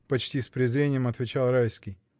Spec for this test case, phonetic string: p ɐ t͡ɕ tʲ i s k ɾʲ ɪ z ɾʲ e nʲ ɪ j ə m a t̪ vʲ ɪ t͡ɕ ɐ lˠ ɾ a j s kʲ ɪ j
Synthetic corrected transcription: p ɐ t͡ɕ tʲ i s p ɾʲ ɪ z ɾʲ e nʲ ɪ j ə m ɐ t̪ vʲ ɪ t͡ɕ a lˠ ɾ a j s kʲ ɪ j